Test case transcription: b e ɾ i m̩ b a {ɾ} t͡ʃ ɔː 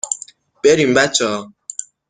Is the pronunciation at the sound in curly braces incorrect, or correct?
incorrect